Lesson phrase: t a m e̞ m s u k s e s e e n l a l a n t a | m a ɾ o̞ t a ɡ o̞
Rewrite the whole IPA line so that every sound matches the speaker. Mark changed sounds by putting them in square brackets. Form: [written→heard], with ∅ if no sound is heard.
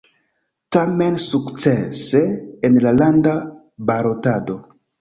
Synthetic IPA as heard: t a m e̞ [m→n] s u k [s→t͡s] e s e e n l a l a n [t→d] a | [m→b] a ɾ o̞ t a [ɡ→d] o̞